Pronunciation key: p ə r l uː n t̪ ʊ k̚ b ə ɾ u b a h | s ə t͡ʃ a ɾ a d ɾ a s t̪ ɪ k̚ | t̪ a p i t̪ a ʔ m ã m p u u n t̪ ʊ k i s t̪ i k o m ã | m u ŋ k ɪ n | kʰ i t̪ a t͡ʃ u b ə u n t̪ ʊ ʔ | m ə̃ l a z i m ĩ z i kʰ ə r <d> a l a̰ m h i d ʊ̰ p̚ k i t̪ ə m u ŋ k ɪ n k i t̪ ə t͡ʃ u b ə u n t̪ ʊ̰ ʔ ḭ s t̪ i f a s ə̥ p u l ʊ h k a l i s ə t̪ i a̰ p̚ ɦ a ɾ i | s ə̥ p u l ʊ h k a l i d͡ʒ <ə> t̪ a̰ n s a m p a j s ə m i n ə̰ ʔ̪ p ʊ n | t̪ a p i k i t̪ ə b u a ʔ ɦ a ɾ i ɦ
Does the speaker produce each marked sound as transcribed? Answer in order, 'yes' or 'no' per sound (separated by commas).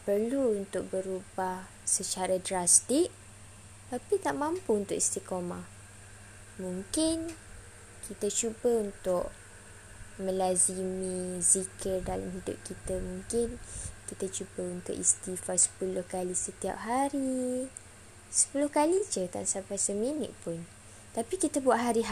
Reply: yes, yes